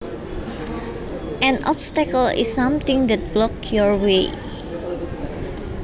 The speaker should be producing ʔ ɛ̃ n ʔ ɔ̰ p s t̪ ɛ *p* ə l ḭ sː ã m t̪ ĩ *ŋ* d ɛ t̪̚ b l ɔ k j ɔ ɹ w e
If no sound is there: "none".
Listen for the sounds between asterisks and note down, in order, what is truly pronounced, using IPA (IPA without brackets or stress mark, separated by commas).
k, ŋ